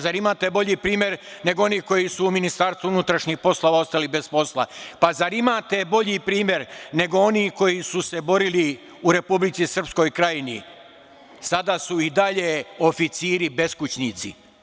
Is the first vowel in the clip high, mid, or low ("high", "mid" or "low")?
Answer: low